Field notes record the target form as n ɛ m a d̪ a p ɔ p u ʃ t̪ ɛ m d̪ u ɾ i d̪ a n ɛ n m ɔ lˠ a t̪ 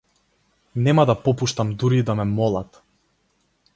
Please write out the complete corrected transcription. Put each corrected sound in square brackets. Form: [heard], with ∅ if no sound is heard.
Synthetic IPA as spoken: n ɛ m a d̪ a p ɔ p u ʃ t̪ [a] m d̪ u ɾ i d̪ a [m] ɛ [∅] m ɔ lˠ a t̪